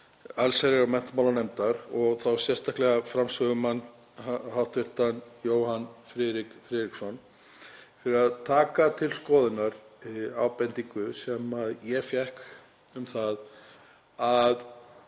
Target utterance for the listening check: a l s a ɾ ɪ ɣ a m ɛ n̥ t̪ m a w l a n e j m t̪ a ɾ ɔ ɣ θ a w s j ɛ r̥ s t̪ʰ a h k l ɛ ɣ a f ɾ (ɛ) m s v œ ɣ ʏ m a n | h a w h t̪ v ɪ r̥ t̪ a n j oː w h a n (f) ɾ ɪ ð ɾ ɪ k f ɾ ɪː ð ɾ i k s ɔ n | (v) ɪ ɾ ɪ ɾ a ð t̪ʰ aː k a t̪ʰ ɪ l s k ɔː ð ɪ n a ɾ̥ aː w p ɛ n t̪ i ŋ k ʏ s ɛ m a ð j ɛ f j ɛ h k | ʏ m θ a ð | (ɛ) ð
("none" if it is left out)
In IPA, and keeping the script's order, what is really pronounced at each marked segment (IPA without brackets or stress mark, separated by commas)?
a, f, f, a